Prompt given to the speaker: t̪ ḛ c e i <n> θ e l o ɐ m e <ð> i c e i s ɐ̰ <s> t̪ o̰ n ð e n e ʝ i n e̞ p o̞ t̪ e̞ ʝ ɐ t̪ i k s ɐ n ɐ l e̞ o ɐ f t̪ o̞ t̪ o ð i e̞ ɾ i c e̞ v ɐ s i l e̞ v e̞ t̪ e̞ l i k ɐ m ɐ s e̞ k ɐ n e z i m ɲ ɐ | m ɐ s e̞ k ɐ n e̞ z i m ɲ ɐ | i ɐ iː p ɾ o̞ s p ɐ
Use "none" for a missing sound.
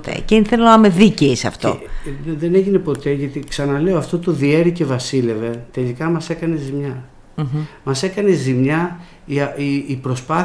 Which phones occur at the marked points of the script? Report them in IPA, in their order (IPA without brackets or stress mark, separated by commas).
n, ð, f